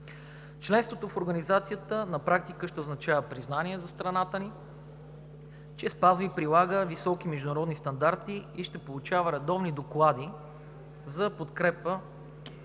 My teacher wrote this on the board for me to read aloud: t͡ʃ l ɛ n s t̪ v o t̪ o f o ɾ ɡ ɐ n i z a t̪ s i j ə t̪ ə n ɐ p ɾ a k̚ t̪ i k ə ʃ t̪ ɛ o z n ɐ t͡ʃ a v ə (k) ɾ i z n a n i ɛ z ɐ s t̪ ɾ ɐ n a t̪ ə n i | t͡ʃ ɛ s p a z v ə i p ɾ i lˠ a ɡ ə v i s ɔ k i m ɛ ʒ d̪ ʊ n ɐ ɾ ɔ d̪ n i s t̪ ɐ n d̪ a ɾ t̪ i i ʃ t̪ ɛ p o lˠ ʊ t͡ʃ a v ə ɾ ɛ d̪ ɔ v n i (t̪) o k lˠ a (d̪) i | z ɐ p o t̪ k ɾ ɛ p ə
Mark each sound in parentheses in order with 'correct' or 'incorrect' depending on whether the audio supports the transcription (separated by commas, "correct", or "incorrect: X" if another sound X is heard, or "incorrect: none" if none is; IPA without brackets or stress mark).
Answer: incorrect: p, incorrect: d̪, correct